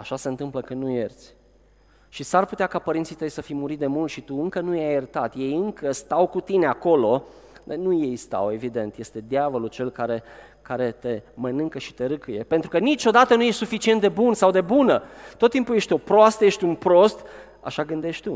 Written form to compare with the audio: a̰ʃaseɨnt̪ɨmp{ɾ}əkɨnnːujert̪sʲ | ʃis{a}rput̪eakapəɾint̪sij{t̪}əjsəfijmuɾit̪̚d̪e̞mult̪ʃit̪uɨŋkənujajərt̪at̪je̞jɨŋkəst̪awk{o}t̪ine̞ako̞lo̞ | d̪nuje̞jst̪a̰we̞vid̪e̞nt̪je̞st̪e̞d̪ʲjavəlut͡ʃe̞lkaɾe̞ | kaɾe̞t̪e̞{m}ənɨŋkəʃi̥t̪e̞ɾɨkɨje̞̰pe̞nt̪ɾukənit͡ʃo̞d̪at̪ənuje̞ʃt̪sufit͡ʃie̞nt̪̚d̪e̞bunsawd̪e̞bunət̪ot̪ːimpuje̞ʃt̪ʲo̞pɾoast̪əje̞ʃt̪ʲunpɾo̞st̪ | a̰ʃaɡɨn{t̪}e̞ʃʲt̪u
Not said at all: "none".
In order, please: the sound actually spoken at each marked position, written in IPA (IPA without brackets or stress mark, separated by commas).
l, a, t̪, u, m, d̪